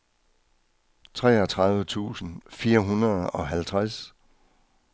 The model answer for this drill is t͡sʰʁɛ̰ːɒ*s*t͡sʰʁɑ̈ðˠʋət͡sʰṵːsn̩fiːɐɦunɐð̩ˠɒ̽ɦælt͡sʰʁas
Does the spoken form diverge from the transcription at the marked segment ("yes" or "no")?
yes